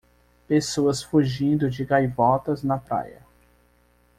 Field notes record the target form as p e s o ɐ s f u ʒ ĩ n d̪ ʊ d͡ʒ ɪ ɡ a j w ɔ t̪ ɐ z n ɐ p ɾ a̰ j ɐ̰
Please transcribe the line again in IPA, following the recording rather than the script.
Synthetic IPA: p e s o ɐ s f u ʒ ĩ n d̪ ʊ d͡ʒ ɪ ɡ a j v ɔ t̪ ɐ z n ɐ p ɾ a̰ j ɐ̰